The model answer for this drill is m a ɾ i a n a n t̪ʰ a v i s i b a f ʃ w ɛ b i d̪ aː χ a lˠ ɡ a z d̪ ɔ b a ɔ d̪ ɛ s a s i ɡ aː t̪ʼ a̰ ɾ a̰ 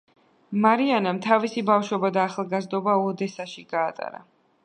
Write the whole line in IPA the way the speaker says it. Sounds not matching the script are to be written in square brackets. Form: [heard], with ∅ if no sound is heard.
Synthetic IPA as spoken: m a ɾ i a n a [m] t̪ʰ a v i s i b a f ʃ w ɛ b [a] d̪ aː χ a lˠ ɡ a z d̪ ɔ b a ɔ d̪ ɛ s a [ʃ] i ɡ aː t̪ʼ a̰ ɾ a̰